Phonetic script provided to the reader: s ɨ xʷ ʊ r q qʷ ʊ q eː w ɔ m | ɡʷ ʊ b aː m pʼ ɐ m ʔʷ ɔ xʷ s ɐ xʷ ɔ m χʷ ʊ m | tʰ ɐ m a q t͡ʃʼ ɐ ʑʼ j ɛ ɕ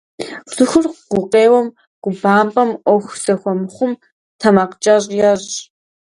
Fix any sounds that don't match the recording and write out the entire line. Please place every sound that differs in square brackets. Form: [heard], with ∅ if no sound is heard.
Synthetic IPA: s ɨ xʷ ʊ r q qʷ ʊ q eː w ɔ m | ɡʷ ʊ b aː m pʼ ɐ m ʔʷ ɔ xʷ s ɐ xʷ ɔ m χʷ ʊ m | tʰ ɐ m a q t͡ʃʼ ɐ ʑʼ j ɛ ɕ